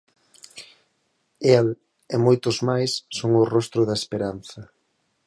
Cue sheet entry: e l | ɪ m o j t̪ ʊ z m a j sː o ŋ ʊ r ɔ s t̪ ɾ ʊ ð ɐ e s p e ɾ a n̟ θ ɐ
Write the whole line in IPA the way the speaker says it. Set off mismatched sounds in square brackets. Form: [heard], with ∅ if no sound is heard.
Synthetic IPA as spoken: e l | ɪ m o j t̪ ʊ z m a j sː o ŋ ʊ r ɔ s t̪ ɾ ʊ ð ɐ e s p e ɾ a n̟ θ ɐ